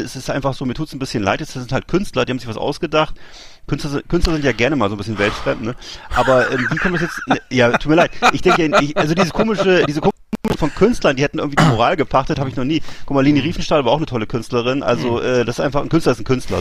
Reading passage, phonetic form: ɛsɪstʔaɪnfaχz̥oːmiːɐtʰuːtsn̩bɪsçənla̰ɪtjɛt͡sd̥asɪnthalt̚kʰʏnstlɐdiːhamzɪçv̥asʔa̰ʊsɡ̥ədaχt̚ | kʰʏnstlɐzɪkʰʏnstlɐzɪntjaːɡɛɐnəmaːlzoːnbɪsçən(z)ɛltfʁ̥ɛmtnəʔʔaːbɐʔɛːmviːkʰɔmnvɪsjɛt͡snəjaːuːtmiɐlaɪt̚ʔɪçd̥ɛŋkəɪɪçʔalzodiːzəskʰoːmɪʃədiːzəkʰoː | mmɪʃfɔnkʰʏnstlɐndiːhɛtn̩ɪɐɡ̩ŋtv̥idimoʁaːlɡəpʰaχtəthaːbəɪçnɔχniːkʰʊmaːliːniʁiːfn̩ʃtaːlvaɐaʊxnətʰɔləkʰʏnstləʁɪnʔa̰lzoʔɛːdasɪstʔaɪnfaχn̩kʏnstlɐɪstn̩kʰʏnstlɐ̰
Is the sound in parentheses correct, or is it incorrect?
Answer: incorrect